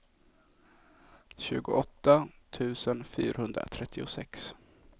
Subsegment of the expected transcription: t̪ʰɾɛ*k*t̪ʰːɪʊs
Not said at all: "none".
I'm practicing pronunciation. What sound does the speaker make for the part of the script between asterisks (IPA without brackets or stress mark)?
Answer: none